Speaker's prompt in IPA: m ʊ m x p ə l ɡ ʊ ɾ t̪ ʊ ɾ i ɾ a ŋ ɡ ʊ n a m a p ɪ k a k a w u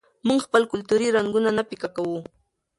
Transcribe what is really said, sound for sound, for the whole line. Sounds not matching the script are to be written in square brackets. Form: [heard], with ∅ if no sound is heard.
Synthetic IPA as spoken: m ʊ [ŋ] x p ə l [k] ʊ [l] t̪ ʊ ɾ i ɾ a ŋ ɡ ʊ n a [n] a p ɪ k a k a w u